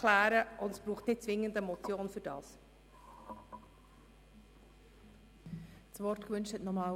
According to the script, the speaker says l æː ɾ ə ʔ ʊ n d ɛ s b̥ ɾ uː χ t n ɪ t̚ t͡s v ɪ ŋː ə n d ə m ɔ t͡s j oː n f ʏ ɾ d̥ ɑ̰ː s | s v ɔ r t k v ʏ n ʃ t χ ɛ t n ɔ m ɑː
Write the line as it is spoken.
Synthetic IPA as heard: l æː ɾ ə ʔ ʊ n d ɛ s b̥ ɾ uː χ t n ɪ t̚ t͡s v ɪ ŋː ə n d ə m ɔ t͡s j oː n f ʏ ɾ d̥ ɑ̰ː s | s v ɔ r t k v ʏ n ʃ t h ɛ t n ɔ m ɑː